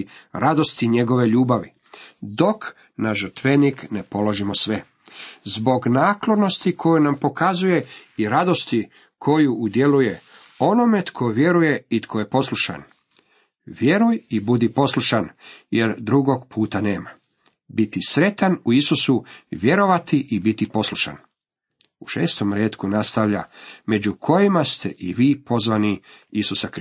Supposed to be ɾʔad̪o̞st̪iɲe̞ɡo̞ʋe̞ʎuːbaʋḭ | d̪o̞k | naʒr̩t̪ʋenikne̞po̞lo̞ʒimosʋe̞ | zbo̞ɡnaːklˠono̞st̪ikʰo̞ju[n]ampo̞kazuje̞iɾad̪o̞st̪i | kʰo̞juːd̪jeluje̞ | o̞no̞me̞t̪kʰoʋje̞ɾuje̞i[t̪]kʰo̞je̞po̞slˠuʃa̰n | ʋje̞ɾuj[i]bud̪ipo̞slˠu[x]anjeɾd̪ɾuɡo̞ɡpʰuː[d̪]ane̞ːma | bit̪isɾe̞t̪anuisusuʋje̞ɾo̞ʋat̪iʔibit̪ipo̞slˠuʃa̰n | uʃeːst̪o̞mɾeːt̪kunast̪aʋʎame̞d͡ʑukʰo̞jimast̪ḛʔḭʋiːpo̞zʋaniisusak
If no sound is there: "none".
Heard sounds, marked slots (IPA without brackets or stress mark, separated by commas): n, t̪, i, ʃ, t̪